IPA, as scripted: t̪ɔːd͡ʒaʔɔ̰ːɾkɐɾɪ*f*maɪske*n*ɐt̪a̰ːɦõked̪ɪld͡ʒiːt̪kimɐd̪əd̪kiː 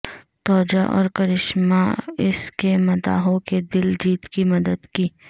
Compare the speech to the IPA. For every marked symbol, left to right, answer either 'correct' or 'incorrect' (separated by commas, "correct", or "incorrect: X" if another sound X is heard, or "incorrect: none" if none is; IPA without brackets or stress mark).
incorrect: ʃ, incorrect: m